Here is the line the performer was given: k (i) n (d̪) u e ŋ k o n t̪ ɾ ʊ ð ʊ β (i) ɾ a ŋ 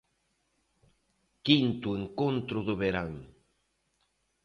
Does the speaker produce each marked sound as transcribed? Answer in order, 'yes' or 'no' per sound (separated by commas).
yes, no, no